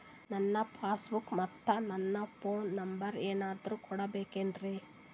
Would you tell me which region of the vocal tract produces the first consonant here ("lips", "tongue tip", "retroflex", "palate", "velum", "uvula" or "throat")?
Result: tongue tip